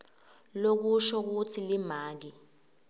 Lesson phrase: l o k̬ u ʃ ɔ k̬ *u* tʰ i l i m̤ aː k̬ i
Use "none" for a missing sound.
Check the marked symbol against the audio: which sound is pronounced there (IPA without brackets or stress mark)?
u